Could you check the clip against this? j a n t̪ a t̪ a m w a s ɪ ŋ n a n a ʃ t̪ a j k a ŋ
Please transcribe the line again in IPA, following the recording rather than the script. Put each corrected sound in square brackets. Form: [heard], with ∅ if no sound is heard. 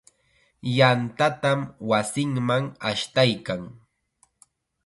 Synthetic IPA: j a n t̪ a t̪ a m w a s ɪ ŋ [m] a [ŋ] a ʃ t̪ a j k a ŋ